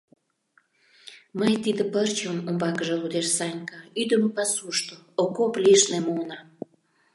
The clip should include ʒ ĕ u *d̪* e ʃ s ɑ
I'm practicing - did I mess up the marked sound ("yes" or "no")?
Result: no